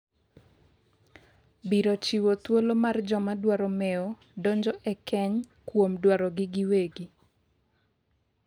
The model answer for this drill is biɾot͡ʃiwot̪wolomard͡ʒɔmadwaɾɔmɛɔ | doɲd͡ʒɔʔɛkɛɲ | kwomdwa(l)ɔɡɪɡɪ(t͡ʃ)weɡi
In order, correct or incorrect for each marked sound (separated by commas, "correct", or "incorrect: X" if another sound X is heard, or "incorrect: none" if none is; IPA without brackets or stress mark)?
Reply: incorrect: ɾ, incorrect: none